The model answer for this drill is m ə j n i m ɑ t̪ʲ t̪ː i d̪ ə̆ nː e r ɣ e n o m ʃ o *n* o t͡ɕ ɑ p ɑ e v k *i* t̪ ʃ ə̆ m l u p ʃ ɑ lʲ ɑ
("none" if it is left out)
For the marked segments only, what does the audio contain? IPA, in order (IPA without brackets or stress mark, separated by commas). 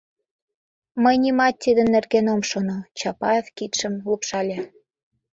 n, i